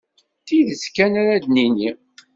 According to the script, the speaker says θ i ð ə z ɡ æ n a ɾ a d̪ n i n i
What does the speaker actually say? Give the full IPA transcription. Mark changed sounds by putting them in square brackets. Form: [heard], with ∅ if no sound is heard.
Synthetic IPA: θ i ð ə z [k] æ n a ɾ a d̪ n i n i